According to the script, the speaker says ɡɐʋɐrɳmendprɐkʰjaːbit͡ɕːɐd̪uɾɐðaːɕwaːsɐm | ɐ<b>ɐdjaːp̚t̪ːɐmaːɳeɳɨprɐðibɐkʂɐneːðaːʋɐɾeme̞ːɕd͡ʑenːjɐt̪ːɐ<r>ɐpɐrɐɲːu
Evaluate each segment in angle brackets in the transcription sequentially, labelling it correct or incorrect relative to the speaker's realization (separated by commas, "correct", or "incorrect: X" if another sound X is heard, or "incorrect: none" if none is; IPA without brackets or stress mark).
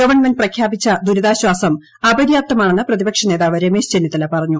correct, incorrect: l